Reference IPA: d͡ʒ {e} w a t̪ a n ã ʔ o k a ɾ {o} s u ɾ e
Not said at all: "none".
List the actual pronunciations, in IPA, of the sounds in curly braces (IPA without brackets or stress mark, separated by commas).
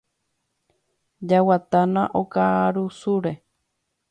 a, u